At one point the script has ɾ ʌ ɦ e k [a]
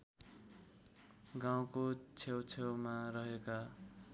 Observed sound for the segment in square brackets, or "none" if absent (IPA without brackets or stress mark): a